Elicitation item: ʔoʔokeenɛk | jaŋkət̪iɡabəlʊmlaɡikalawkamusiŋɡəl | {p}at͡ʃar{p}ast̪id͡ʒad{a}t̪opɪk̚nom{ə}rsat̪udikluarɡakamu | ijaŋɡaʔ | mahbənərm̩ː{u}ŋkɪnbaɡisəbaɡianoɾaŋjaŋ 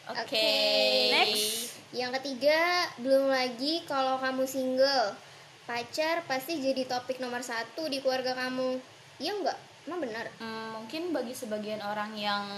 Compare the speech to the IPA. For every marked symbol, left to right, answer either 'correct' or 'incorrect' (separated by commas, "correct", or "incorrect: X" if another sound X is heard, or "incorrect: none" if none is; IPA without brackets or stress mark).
correct, correct, incorrect: i, correct, correct